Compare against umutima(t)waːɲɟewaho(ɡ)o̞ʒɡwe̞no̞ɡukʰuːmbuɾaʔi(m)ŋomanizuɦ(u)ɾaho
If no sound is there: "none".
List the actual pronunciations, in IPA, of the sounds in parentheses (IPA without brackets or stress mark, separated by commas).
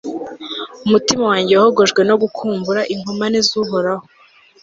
none, ɡ, none, o